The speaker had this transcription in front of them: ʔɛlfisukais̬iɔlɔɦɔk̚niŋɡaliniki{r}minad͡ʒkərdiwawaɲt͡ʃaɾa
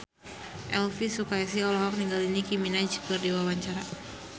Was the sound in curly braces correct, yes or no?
no